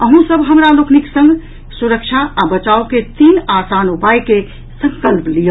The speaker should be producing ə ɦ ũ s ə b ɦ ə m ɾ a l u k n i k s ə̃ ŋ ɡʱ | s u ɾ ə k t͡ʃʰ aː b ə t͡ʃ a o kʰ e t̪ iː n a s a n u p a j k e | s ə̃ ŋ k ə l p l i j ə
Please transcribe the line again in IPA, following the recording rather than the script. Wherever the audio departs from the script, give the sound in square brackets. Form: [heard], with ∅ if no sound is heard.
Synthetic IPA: ə ɦ ũ s ə b ɦ ə m ɾ a l [o] k n i k s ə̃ ŋ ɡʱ | s u ɾ ə k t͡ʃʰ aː b ə t͡ʃ a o [k] e t̪ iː n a s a n u p a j k e | s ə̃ ŋ k ə l p l i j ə